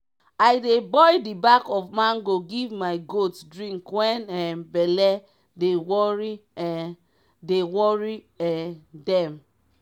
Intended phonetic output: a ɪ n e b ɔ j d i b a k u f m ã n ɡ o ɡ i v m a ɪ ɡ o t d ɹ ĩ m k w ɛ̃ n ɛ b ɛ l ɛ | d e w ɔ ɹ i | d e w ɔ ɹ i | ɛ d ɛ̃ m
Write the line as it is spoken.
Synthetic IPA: a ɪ d e b ɔ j d i b a k ɔ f m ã n ɡ o ɡ i v m a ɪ ɡ o t d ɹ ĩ ŋ k w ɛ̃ n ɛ b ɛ l ɛ | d e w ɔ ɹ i | d e w ɔ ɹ i | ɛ d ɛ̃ m